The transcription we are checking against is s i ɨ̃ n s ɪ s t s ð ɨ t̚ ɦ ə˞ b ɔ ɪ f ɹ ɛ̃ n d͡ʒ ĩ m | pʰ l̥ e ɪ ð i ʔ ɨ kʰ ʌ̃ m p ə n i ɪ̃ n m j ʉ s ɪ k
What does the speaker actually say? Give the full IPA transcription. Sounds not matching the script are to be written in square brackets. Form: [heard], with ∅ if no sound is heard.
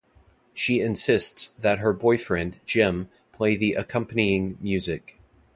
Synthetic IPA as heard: [ʃ] i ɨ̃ n s ɪ s t s ð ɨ t̚ ɦ ə˞ b ɔ ɪ f ɹ ɛ̃ n d͡ʒ [ɪ̃] m | pʰ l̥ e ɪ ð i ʔ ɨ kʰ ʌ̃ m p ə n i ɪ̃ [ŋ] m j ʉ [z] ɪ k

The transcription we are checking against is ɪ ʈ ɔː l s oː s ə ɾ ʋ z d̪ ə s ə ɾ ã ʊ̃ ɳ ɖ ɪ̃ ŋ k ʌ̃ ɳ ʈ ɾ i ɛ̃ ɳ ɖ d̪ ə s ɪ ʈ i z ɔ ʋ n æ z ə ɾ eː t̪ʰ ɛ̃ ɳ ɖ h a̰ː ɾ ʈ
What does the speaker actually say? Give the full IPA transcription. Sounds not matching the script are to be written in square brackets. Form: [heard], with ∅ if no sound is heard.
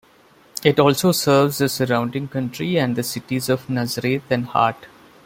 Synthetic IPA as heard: ɪ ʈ ɔː l s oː s ə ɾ ʋ z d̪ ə s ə ɾ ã ʊ̃ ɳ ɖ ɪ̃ ŋ k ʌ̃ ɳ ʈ ɾ i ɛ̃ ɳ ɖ d̪ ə s ɪ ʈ i z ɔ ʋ n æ z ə ɾ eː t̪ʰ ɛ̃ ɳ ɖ h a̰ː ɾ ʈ

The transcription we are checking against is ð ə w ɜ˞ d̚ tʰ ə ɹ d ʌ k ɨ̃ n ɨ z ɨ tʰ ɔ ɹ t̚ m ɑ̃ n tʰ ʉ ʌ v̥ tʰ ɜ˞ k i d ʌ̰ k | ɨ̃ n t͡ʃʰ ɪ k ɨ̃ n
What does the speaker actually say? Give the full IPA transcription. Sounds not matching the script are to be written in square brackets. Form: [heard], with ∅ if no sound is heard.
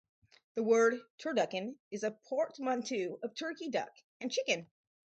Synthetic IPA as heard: ð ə w ɜ˞ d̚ tʰ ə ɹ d ʌ k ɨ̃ n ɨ z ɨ [pʰ] ɔ ɹ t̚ m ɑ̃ n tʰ ʉ ʌ v̥ tʰ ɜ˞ k i d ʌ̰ k | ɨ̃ n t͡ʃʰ ɪ k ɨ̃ n

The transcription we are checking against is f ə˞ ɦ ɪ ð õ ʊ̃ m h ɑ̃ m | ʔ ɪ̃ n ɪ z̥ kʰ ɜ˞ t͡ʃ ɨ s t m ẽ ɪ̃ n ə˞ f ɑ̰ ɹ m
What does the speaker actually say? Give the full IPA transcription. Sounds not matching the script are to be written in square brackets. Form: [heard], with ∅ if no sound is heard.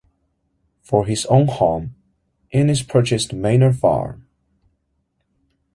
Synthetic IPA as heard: f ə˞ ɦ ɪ [z] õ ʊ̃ [n] h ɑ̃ m | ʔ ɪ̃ n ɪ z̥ [pʰ] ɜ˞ t͡ʃ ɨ s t m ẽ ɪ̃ n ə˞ f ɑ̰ ɹ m

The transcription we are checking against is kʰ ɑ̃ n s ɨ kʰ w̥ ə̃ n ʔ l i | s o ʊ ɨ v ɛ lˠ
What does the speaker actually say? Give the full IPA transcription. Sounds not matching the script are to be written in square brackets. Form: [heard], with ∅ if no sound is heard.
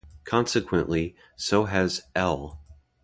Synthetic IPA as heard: kʰ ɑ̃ n s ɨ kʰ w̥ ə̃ n ʔ l i | s o ʊ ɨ [z] ɛ lˠ

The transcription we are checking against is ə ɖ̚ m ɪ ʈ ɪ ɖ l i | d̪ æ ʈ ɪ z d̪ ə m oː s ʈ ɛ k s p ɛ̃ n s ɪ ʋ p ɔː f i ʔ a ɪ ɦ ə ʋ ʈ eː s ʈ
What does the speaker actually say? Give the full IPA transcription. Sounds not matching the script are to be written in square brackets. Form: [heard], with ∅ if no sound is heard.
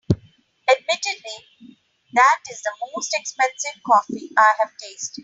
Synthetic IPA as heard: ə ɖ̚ m ɪ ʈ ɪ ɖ l i | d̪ æ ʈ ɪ z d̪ ə m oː s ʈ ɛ k s p ɛ̃ n s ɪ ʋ [k] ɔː f i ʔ a ɪ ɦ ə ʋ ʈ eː s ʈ

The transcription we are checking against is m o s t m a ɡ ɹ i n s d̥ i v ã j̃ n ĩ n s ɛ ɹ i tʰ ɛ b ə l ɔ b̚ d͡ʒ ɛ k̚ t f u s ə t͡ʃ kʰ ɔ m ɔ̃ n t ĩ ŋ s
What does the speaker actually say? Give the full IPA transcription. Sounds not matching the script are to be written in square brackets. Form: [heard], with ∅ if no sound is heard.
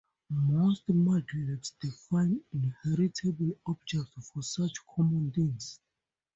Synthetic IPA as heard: m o s t m a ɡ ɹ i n s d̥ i [f] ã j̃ n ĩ n [h] ɛ ɹ i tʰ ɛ b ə l ɔ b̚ d͡ʒ ɛ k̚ t f [ɔ] s [a] t͡ʃ kʰ ɔ m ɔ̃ n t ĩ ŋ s

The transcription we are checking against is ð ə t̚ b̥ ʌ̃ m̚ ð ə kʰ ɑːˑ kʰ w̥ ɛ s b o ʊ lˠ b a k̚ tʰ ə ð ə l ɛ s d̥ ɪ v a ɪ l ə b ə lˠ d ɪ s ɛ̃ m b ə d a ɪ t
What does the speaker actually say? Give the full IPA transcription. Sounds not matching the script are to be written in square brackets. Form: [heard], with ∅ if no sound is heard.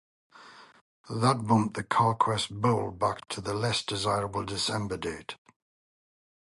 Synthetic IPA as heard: ð ə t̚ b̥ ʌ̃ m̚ ð ə kʰ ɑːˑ kʰ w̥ ɛ s b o ʊ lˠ b a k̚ tʰ ə ð ə l ɛ s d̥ ɪ [z] a ɪ [ɹ] ə b ə lˠ d ɪ s ɛ̃ m b ə d [e] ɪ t

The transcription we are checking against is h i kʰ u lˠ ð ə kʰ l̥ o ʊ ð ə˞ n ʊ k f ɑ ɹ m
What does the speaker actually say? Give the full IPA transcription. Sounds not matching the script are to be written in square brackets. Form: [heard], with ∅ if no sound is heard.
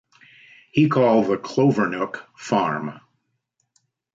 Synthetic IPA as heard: h i kʰ [ɔ] lˠ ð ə kʰ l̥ o ʊ [v] ə˞ n ʊ k f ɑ ɹ m

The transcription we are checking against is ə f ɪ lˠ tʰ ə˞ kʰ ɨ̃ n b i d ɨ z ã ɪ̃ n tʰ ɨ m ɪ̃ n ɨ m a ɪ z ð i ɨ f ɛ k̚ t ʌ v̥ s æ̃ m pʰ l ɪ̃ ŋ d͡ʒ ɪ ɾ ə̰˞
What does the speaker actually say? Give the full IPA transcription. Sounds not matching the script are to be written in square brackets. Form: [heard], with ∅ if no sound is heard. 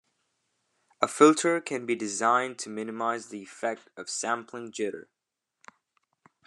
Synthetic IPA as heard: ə f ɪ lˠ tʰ ə˞ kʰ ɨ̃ n b i d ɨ z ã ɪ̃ n tʰ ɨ m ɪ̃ n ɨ m a ɪ z ð i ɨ f ɛ k̚ t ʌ v̥ s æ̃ m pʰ l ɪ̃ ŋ d͡ʒ ɪ ɾ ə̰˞

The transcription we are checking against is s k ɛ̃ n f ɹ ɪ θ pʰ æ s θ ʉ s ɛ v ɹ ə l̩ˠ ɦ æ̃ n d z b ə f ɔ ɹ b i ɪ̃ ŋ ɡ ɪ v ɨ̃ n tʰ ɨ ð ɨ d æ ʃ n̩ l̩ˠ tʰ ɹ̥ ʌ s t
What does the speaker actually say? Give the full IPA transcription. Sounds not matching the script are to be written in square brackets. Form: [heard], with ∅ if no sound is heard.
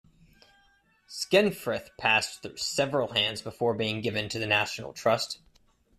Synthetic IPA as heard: s k ɛ̃ n f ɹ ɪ θ pʰ æ s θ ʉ s ɛ v ɹ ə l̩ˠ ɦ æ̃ n d z b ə f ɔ ɹ b i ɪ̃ ŋ ɡ ɪ v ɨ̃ n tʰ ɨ ð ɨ [n] æ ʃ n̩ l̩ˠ tʰ ɹ̥ ʌ s t

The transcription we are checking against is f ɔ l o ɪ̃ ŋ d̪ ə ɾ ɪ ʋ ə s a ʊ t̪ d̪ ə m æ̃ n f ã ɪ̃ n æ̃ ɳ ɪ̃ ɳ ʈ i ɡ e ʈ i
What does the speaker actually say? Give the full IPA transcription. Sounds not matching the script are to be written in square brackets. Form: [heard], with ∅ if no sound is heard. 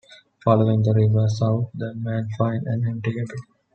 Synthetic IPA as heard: f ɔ l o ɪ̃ ŋ d̪ ə ɾ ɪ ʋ ə s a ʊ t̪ d̪ ə m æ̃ n f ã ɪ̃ n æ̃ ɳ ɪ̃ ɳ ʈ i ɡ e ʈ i

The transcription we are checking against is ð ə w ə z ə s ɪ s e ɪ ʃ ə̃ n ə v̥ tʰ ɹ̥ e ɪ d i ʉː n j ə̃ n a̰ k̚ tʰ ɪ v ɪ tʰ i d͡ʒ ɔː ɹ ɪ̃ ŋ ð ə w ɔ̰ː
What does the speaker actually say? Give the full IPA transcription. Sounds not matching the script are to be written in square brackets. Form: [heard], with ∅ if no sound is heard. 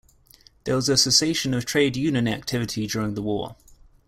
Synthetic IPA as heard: ð ə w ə z ə s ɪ s e ɪ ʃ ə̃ n ə v̥ tʰ ɹ̥ e ɪ d [j] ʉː n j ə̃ n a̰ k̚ tʰ ɪ v ɪ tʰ i d͡ʒ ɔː ɹ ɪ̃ ŋ ð ə w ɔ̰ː

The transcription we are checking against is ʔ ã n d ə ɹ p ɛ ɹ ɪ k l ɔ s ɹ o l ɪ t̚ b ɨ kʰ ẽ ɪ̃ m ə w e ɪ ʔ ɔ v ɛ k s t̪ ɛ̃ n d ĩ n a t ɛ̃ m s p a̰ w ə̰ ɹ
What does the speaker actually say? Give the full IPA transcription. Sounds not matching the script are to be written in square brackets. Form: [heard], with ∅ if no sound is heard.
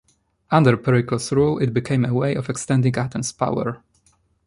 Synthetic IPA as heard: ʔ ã n d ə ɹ p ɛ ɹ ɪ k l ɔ s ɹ [u] l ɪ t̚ b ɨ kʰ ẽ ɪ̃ m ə w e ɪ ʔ ɔ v ɛ k s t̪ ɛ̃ n d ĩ [ŋ] a t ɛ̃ m s p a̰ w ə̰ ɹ

